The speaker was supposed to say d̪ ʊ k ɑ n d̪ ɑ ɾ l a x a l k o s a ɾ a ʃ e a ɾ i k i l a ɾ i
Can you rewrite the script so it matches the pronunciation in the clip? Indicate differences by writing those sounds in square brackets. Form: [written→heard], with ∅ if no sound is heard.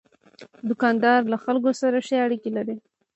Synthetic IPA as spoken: d̪ ʊ k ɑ n d̪ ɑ ɾ l a x a l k o s a ɾ a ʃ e a [ɾ→ɽ] i k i l a ɾ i